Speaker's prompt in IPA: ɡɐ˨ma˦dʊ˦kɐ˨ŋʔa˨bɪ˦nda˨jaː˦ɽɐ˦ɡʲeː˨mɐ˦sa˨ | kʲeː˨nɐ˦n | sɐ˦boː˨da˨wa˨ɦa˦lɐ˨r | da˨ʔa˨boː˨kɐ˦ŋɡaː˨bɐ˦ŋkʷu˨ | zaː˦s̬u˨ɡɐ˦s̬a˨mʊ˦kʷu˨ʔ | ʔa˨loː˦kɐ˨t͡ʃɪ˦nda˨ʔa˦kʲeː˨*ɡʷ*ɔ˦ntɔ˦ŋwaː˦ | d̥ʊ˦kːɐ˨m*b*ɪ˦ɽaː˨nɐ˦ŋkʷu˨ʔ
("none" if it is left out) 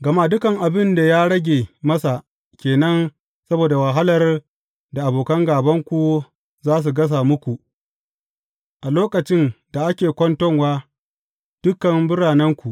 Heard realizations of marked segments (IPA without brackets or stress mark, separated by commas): kʷ, b